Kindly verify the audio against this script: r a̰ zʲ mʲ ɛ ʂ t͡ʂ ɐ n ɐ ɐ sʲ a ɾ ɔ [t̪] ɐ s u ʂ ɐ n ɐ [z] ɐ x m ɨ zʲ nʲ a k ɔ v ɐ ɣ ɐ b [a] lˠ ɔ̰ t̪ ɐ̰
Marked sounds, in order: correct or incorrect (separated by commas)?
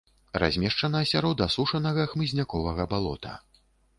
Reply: incorrect, incorrect, correct